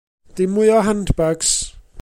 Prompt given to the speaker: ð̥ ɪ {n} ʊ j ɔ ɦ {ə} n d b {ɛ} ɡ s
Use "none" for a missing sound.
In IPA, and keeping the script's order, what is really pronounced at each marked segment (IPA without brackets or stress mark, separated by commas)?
m, a, a